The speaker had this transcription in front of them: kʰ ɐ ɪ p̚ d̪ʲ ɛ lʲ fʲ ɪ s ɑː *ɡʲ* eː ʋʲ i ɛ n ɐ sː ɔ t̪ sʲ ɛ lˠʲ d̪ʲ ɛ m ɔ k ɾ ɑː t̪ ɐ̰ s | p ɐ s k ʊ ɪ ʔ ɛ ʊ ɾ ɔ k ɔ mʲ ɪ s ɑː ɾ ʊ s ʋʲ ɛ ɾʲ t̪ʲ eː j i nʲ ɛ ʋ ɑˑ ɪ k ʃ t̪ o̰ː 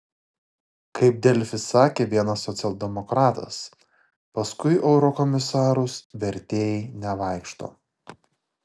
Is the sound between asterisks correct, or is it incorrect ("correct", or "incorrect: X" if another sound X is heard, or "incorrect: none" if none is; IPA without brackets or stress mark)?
incorrect: kʲ